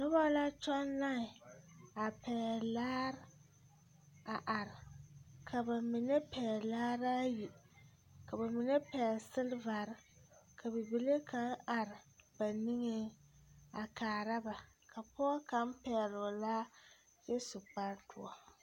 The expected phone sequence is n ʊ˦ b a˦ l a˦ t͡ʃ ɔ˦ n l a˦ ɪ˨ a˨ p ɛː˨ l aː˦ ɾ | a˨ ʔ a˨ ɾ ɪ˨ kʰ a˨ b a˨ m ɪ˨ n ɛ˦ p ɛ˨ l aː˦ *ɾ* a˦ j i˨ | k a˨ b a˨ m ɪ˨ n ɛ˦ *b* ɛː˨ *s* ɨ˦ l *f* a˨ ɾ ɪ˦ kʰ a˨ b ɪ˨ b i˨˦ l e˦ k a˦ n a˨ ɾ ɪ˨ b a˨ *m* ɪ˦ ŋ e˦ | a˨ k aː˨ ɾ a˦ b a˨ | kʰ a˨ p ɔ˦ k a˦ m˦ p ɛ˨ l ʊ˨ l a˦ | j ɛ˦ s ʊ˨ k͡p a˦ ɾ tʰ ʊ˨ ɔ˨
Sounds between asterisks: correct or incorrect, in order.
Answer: correct, incorrect, correct, incorrect, incorrect

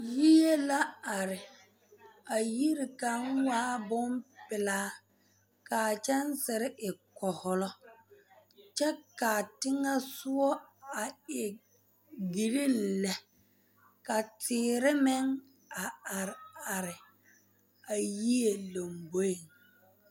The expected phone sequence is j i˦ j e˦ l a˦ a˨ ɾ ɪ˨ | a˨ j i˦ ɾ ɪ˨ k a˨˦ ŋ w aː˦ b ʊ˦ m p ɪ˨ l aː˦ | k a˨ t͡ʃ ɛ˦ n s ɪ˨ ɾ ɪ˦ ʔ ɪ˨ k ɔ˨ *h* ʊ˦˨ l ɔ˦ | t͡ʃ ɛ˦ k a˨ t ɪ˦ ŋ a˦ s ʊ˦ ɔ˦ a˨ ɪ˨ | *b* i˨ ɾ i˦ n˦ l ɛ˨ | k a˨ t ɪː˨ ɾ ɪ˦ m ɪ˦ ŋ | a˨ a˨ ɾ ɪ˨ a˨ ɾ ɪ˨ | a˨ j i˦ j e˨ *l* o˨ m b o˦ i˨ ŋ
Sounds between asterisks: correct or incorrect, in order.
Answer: correct, incorrect, correct

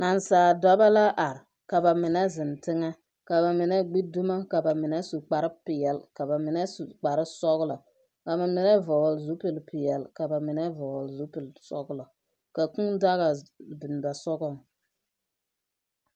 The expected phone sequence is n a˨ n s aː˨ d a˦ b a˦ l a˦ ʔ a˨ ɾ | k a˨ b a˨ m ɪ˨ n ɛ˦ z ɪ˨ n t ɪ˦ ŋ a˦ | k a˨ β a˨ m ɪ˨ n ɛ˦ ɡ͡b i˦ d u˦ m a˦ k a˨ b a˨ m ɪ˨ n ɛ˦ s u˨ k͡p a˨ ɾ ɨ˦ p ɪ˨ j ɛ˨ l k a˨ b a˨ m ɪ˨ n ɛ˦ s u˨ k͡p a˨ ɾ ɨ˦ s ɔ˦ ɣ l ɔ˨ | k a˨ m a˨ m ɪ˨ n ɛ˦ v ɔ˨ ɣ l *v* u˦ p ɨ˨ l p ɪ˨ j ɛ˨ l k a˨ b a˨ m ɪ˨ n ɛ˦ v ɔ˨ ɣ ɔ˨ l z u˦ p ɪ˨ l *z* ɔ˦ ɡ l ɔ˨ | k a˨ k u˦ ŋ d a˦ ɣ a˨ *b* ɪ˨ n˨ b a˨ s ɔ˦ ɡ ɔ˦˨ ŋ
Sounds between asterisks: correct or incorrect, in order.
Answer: incorrect, incorrect, correct

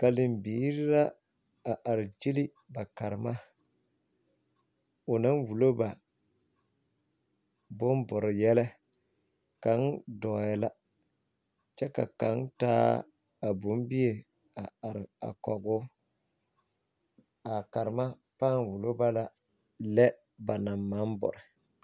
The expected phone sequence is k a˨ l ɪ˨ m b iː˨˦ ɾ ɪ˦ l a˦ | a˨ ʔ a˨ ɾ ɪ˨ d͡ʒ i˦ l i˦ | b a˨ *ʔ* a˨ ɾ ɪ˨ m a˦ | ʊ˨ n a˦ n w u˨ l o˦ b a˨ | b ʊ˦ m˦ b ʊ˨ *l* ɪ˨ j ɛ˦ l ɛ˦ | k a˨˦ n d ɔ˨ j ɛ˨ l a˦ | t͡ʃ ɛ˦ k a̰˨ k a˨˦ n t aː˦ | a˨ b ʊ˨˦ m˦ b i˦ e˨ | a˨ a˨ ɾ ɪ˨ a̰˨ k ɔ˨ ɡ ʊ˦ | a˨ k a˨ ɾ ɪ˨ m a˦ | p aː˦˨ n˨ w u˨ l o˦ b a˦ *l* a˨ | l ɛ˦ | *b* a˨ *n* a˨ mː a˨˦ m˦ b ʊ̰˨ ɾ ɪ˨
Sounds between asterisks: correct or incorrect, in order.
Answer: incorrect, incorrect, correct, correct, correct

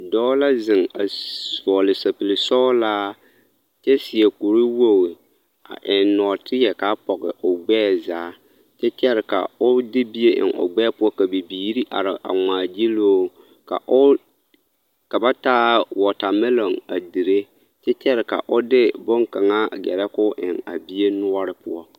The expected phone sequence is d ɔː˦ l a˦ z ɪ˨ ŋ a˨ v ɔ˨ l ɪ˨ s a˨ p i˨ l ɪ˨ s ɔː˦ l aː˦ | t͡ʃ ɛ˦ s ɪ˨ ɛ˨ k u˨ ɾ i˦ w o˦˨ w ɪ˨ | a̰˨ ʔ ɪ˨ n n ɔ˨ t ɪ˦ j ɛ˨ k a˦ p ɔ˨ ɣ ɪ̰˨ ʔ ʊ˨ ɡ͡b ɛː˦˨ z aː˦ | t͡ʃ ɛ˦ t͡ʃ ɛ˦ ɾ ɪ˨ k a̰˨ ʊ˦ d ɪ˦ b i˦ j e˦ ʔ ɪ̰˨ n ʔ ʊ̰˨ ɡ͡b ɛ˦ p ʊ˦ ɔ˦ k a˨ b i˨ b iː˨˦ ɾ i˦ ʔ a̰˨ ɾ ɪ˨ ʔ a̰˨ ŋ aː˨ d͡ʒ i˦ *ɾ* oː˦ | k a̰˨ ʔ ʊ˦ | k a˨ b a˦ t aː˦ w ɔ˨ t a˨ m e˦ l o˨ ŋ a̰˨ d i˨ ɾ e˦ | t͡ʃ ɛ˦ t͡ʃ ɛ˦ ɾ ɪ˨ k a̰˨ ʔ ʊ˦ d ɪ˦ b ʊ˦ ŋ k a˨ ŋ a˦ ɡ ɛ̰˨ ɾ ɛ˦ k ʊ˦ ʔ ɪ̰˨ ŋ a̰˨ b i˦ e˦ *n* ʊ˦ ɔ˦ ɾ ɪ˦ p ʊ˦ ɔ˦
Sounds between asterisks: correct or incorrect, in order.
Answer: incorrect, correct

